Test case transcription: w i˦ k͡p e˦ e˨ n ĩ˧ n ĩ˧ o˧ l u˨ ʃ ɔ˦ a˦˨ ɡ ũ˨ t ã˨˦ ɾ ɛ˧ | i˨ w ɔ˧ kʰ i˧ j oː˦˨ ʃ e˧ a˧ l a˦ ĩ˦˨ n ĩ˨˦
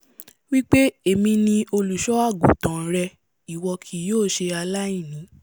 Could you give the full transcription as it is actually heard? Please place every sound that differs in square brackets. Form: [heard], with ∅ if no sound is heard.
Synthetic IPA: w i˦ k͡p e˦ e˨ [m] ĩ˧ n ĩ˧ o˧ l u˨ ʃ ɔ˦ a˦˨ ɡ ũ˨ t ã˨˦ ɾ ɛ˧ | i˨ w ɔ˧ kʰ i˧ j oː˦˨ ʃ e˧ a˧ l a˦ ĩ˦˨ n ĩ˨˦